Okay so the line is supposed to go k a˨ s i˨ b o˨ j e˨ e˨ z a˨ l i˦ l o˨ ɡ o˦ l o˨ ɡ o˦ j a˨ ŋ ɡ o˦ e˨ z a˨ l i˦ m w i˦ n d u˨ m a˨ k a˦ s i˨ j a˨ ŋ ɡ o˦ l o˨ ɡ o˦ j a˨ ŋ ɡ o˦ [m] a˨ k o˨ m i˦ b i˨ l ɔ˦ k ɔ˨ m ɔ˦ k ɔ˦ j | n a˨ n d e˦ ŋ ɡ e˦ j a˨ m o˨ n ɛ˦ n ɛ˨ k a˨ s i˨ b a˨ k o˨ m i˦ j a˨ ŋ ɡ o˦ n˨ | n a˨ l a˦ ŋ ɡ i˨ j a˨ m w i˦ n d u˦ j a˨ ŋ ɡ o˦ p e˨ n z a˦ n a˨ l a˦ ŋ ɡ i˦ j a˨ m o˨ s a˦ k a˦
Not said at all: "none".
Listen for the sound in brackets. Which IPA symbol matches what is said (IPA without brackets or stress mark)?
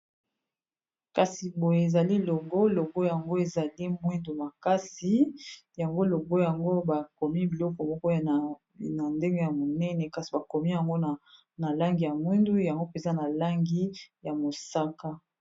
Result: b